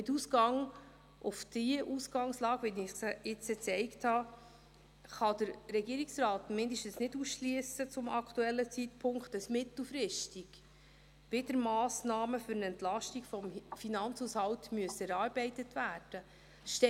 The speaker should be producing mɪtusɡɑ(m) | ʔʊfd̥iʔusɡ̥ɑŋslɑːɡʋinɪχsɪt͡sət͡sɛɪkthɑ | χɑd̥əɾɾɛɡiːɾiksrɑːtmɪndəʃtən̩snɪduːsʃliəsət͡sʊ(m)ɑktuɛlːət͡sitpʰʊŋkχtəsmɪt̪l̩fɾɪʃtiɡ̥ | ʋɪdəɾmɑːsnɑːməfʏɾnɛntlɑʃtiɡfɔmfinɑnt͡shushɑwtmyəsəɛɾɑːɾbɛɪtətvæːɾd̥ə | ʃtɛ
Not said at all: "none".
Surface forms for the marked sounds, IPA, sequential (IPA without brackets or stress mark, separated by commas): ŋ, m